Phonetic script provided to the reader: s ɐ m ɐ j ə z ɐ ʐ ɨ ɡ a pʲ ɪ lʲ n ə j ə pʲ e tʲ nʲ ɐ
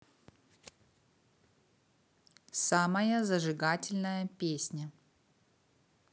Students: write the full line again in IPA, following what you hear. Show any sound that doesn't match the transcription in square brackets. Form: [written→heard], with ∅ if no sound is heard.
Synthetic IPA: s [ɐ→a] m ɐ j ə z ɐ ʐ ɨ ɡ a [pʲ→tʲ] ɪ lʲ n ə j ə pʲ e [tʲ→sʲ] nʲ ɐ